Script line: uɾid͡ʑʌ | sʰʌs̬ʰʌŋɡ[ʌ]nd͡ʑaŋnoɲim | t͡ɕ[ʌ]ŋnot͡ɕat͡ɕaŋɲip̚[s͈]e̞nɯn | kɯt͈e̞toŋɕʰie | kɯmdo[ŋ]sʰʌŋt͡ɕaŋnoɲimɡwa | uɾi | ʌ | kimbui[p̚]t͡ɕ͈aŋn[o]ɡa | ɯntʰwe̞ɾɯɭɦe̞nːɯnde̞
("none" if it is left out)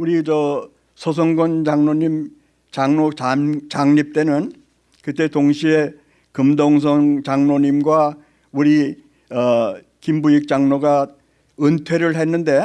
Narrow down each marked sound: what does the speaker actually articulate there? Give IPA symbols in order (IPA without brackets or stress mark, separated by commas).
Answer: ʌ, a, t͈, ŋ, k̚, o